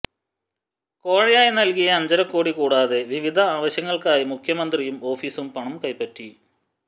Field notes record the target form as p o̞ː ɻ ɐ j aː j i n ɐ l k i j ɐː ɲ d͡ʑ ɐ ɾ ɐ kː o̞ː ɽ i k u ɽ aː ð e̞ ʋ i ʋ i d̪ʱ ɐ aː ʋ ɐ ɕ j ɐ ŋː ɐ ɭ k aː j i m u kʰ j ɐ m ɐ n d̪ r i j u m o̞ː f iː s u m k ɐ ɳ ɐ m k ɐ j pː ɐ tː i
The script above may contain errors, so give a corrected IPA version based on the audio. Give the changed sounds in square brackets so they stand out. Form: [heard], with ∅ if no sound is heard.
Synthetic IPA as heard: [k] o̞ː ɻ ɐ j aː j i n ɐ l k i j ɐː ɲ d͡ʑ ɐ ɾ ɐ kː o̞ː ɽ i k [uː] ɽ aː ð e̞ ʋ i ʋ i d̪ʱ ɐ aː ʋ ɐ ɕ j ɐ ŋː ɐ ɭ k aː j i m u kʰ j ɐ m ɐ n d̪ r i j u m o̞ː f iː s u m [p] ɐ ɳ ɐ m k ɐ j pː ɐ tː i